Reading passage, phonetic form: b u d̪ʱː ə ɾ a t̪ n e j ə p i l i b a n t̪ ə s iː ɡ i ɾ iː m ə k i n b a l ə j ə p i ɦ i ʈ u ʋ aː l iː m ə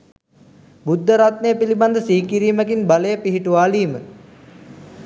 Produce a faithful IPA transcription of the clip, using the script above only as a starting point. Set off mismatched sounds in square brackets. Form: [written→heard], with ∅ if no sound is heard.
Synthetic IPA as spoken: b u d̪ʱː ə ɾ a t̪ n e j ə p i l i b a n [t̪→d̪] ə s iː [ɡ→k] i ɾ iː m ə k i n b a l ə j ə p i ɦ i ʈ u ʋ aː l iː m ə